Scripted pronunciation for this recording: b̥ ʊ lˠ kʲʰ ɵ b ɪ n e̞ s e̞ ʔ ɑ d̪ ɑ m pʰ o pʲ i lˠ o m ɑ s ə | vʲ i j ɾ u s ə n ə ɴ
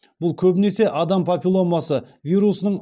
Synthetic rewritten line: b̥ ʊ lˠ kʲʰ ɵ b ɪ n e̞ s e̞ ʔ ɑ d̪ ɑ m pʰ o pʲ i lˠ o m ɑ s ə | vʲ i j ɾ u s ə n ə ɴ